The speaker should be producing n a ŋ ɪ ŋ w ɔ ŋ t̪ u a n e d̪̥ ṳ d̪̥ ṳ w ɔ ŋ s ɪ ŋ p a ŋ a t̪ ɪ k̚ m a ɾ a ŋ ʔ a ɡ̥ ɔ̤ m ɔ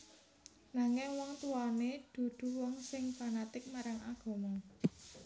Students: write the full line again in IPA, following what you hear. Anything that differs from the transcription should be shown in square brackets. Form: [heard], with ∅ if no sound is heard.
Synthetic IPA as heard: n a ŋ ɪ ŋ w ɔ ŋ t̪ u a n e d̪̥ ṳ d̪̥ ṳ w ɔ ŋ s ɪ ŋ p a [n] a t̪ ɪ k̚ m a ɾ a ŋ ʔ a ɡ̥ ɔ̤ m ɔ